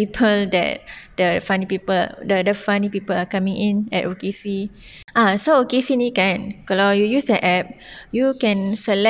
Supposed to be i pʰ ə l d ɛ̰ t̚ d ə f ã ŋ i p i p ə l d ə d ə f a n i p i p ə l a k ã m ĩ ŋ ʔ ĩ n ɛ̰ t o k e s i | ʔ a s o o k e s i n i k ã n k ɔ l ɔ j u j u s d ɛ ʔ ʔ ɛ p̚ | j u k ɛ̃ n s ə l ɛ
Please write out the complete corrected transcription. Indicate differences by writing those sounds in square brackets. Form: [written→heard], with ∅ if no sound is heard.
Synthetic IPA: i pʰ ə l d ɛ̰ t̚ d ə f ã [ŋ→n] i p i p ə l d ə d ə f a n i p i p ə l a k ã m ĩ ŋ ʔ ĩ n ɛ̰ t o k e s i | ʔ a s o o k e s i n i k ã n k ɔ l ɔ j u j u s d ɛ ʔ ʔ ɛ p̚ | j u k ɛ̃ n s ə l ɛ